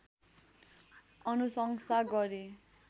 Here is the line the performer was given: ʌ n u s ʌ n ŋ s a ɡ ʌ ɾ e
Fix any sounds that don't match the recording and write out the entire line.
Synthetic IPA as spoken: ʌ n u s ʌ ŋ s a ɡ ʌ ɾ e

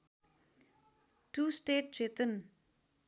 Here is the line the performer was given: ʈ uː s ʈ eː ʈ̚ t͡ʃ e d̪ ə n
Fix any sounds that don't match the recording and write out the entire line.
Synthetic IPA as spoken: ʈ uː s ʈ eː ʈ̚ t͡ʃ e t̪ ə n

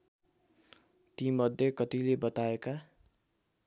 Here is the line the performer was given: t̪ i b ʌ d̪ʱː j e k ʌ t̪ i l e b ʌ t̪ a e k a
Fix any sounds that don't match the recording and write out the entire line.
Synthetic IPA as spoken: t̪ i m ʌ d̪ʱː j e k ʌ t̪ i l e b ʌ t̪ a e k a

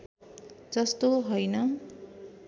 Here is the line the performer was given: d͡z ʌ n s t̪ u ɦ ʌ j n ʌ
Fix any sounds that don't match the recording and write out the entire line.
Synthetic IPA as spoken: d͡z ʌ s t̪ o ɦ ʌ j n ʌ

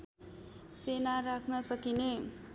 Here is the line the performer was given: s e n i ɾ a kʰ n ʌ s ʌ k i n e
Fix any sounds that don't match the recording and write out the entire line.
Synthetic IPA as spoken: s e n a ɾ a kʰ n ʌ s ʌ k i n e

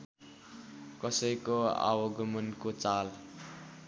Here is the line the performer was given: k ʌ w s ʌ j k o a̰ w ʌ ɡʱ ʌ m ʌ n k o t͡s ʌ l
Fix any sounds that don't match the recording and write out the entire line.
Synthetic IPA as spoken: k ʌ s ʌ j k o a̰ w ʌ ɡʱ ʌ m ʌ n k o t͡s a l

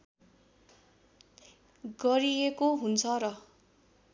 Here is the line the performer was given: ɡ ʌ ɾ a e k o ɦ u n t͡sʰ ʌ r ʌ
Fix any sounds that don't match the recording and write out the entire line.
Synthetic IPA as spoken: ɡ ʌ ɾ i e k o ɦ u n t͡sʰ ʌ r ʌ

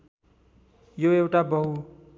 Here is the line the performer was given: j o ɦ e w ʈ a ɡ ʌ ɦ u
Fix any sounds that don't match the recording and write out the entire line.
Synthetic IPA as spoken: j o e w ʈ a b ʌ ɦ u

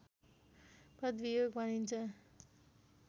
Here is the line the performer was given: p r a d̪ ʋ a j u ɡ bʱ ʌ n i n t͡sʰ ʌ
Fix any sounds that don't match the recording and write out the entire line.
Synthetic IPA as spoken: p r ʌ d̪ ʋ i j o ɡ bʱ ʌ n i n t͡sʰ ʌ

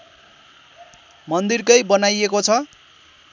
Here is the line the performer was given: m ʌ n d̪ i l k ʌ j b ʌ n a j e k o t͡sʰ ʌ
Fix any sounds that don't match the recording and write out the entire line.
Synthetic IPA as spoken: m ʌ n d̪ i r k ʌ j b ʌ n a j e k o t͡sʰ ʌ

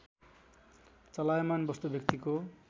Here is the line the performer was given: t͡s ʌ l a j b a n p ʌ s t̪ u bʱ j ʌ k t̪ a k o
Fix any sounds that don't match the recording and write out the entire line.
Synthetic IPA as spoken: t͡s ʌ l a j m a n b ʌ s t̪ u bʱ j ʌ k t̪ i k o

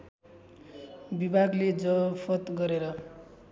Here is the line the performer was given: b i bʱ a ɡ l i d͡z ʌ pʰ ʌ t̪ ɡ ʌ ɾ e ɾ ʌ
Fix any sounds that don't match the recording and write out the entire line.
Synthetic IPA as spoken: b i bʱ a ɡ l e d͡z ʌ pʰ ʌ t̪ ɡ ʌ ɾ e ɾ ʌ

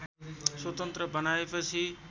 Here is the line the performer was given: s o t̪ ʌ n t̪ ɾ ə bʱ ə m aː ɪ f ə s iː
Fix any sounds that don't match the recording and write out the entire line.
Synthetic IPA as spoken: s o t̪ ə n t̪ ɾ ə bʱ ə n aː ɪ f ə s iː

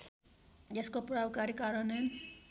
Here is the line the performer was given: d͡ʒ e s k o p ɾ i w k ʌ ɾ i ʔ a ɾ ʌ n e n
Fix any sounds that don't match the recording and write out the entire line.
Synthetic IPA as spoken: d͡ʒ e s k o p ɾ a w k a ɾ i k a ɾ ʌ n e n

